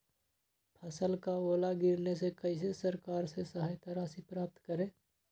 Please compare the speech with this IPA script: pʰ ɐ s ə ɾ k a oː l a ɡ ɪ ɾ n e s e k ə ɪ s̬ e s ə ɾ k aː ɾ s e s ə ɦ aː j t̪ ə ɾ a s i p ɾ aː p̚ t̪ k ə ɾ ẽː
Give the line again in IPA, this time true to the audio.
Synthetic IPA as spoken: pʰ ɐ s ə l k a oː l a ɡ ɪ ɾ n e s e k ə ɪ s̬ e s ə ɾ k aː ɾ s e s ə ɦ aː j t̪ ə ɾ a s i p ɾ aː p̚ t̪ k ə ɾ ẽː